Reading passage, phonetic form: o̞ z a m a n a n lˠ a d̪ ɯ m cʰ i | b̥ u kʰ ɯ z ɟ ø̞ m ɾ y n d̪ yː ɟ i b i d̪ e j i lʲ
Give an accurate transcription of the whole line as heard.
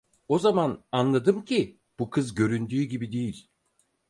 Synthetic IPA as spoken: o̞ z a m a n a n lˠ a d̪ ɯ m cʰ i | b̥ u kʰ ɯ z ɟ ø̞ ɾ y n d̪ yː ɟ i b i d̪ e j i lʲ